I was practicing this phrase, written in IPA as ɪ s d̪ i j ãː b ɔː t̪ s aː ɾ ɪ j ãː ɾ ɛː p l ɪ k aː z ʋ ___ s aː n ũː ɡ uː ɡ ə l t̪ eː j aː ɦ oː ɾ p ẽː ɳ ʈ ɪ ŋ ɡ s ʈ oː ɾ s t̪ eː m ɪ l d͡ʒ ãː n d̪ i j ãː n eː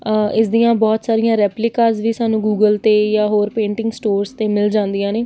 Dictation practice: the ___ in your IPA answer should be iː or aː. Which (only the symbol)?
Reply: iː